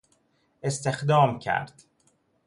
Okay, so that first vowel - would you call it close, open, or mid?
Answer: mid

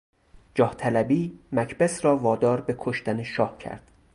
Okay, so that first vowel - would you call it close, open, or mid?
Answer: open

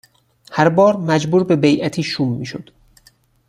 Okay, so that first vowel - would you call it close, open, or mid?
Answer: open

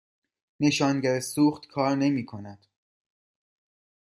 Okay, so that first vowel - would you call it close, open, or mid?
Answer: mid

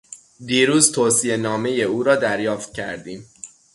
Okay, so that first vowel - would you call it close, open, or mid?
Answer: close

